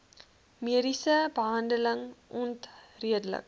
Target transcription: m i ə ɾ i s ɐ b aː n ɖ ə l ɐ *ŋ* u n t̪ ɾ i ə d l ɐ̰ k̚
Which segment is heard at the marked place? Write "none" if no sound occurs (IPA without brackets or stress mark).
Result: ŋ